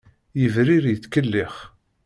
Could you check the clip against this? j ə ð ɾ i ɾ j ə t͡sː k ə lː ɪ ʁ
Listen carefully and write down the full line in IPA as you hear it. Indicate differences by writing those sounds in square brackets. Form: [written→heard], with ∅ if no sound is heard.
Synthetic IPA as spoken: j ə [ð→v] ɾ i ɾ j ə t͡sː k ə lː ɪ [ʁ→χ]